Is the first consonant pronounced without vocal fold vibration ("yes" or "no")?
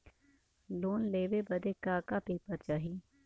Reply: no